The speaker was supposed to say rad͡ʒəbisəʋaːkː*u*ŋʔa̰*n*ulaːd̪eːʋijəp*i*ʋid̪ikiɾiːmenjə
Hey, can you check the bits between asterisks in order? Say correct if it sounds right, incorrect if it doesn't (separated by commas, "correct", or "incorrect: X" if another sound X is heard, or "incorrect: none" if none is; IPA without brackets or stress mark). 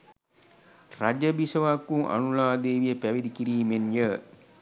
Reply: correct, correct, incorrect: æ